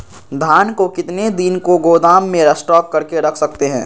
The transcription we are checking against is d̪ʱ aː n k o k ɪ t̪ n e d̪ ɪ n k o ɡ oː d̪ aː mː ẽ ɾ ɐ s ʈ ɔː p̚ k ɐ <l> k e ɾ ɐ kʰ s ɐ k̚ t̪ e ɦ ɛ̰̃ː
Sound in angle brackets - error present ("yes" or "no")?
yes